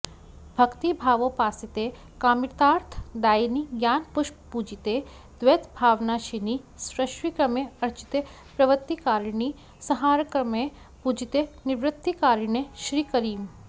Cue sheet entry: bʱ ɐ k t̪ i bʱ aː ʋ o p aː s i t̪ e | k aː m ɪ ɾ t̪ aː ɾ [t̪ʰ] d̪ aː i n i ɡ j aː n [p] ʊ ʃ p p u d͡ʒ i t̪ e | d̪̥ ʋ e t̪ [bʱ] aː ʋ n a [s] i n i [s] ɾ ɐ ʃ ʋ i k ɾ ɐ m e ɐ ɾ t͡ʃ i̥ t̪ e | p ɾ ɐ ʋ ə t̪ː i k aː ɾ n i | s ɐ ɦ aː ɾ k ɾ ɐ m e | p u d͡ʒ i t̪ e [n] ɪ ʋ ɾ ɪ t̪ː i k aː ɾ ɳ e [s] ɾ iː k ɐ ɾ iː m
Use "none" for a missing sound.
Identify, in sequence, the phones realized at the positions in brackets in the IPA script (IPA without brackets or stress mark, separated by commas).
t̪ʰ, p, bʱ, ʃ, s, n, ʃ